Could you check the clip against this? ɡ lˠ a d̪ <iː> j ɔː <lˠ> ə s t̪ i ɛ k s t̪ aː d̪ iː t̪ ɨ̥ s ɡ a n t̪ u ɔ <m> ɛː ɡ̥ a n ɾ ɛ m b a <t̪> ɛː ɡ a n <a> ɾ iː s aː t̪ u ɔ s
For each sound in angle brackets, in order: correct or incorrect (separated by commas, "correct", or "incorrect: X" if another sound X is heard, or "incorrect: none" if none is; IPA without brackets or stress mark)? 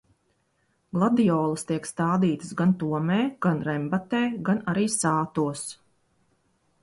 incorrect: i, correct, correct, correct, correct